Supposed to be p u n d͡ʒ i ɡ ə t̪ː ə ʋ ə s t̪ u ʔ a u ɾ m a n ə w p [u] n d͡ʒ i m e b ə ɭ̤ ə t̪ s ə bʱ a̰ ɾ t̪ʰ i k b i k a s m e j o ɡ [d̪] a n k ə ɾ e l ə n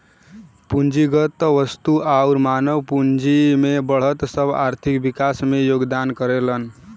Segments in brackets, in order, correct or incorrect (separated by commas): correct, correct